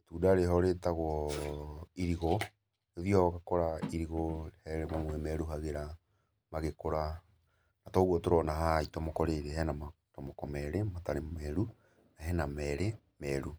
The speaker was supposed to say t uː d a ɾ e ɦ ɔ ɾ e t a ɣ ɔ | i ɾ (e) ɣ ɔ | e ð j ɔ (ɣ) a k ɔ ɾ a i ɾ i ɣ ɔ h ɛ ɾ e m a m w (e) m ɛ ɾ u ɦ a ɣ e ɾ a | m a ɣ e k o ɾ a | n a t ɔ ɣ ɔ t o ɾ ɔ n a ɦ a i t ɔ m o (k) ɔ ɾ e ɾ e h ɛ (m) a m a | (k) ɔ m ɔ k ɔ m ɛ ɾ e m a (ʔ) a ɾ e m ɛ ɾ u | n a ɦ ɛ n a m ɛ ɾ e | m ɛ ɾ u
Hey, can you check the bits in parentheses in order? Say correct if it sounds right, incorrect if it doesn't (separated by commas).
incorrect, correct, incorrect, correct, incorrect, incorrect, incorrect